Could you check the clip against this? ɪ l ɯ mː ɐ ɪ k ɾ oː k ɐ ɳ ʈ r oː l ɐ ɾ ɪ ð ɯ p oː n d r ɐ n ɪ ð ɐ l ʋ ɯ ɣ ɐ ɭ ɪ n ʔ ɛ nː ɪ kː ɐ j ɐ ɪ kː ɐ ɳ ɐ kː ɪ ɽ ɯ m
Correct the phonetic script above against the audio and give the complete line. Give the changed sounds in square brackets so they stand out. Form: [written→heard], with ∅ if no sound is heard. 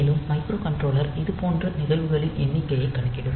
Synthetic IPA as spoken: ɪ l ɯ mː ɐ ɪ k ɾ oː k ɐ ɳ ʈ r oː l ɐ ɾ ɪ ð ɯ p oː n d r ɐ n ɪ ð ɐ l ʋ ɯ ɣ ɐ ɭ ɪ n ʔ ɛ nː ɪ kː ɐ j ɐ ɪ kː ɐ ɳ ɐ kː ɪ ɽ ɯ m